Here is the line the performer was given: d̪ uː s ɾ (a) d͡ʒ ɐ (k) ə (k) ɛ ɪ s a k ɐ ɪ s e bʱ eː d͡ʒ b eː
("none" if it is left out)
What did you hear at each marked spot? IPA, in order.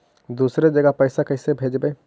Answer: e, ɡ, p

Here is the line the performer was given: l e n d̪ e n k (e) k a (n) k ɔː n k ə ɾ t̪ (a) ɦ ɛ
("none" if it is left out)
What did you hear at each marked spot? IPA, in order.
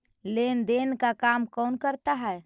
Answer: a, m, a

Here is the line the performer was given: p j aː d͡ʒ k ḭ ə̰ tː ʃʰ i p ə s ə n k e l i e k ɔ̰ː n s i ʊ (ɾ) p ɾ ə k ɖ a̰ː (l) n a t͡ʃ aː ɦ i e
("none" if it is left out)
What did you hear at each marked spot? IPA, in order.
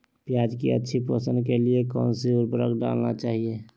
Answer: ɾ, l

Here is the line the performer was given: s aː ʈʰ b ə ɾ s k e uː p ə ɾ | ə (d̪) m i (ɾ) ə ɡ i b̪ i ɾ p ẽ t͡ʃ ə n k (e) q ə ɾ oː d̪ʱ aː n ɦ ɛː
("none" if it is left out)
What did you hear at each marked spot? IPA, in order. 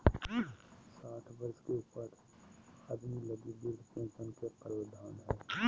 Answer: d̪, l, e

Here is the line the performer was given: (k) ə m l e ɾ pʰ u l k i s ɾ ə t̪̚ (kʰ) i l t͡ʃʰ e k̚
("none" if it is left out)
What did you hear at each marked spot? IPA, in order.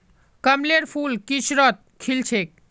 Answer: k, kʰ

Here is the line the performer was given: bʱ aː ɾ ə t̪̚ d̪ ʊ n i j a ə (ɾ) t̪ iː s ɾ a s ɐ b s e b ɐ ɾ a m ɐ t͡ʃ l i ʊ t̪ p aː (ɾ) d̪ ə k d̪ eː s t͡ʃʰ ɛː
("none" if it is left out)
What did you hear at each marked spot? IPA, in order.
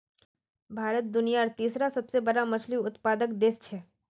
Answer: ɾ, none

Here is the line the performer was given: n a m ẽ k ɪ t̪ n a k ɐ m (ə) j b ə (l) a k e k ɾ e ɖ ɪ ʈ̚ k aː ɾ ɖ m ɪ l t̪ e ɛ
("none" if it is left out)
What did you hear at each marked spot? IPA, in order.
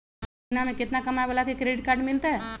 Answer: a, l

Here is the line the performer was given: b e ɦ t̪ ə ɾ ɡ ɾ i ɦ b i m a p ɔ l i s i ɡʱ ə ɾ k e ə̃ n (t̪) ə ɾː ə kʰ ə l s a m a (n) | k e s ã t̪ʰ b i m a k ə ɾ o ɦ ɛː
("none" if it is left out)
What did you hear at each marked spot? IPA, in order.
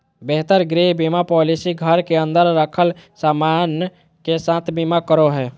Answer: d̪, n

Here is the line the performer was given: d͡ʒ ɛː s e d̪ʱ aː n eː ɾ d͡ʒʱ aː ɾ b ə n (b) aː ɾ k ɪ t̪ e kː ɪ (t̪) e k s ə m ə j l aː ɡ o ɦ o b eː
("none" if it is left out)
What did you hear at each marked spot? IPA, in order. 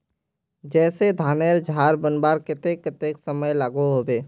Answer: b, t̪

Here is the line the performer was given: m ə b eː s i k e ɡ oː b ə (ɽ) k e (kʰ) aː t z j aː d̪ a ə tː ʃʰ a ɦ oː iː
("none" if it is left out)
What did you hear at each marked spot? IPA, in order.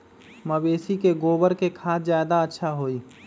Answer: ɾ, kʰ

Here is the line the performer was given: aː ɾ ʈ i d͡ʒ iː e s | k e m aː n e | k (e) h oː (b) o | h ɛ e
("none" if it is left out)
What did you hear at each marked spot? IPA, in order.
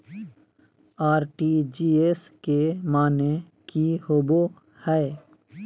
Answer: i, b

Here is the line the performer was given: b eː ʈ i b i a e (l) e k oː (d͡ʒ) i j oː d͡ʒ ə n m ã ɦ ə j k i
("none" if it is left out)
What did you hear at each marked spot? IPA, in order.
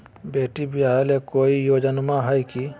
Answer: l, none

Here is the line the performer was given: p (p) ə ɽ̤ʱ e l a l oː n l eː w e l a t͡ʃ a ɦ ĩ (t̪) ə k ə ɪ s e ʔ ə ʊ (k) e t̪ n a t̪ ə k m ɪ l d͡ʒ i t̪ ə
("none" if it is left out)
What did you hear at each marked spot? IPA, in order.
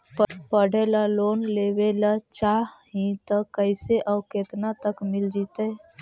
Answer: p, t̪, k

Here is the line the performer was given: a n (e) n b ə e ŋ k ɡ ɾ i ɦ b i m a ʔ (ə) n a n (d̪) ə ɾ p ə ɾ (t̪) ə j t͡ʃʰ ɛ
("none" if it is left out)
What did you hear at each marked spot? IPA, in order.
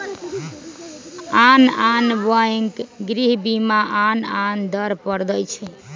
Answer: a, a, d̪, d̪

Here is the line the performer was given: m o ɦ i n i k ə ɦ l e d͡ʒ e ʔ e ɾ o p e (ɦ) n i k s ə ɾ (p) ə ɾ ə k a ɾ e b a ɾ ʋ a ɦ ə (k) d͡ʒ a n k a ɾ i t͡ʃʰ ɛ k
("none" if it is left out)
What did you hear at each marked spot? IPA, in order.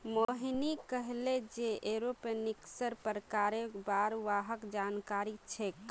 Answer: none, p, k

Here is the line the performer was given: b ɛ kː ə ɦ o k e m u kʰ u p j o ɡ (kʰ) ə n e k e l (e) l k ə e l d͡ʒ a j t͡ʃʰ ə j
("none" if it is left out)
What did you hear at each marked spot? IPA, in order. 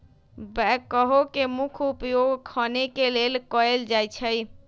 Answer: kʰ, e

